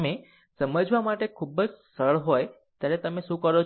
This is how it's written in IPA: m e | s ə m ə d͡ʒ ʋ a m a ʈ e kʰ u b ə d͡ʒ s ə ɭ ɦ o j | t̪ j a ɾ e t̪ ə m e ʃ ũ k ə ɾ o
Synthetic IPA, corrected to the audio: m e | s ə m ə d͡ʒ ʋ a m a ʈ e kʰ u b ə d͡ʒ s ə ɭ ɦ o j | t̪ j a ɾ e t̪ ə m e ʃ ũ k ə ɾ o